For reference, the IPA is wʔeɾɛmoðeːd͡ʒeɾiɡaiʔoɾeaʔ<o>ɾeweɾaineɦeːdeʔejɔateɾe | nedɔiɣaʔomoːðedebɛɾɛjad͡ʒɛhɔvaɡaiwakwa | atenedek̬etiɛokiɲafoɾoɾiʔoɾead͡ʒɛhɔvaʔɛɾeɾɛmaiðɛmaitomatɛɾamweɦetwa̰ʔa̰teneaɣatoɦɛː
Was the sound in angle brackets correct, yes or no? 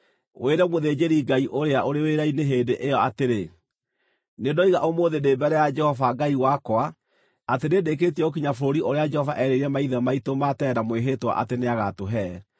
yes